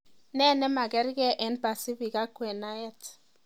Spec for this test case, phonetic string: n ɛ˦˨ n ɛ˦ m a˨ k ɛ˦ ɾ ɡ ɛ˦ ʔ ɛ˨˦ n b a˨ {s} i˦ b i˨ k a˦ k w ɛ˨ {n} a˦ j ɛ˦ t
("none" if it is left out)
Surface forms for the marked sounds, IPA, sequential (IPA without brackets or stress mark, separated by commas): s, n